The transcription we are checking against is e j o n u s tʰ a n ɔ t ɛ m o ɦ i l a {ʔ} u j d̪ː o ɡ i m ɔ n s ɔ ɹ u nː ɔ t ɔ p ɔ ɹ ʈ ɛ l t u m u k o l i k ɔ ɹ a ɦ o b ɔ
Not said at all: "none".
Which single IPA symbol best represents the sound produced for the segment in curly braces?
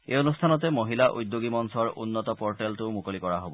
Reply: ʔ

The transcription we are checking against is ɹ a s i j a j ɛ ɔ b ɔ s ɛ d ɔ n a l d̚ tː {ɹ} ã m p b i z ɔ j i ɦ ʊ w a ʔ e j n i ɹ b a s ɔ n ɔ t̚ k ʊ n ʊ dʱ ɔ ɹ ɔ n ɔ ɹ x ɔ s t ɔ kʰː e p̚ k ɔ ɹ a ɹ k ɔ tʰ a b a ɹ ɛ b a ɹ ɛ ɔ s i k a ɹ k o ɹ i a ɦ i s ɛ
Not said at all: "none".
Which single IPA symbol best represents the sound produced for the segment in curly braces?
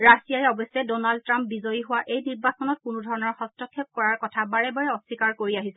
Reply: ɹ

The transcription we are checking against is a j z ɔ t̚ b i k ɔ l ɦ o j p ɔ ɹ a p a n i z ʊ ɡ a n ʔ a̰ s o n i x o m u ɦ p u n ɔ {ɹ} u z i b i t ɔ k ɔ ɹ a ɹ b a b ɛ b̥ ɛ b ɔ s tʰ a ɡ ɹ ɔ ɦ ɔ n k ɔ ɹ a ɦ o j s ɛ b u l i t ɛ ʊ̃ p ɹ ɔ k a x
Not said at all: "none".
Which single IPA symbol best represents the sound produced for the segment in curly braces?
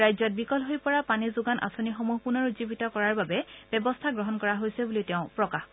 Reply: ɹ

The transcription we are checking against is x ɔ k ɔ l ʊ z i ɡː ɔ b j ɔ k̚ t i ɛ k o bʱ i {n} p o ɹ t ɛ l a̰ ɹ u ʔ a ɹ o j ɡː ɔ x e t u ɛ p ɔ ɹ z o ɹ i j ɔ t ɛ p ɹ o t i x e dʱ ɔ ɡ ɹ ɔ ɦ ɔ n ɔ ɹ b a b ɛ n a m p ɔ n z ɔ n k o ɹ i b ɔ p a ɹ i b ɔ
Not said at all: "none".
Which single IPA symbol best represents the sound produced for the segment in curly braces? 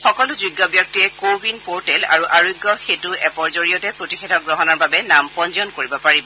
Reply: n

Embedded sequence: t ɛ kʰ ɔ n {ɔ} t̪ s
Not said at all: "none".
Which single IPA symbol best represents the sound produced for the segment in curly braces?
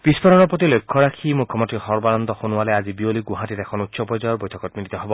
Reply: u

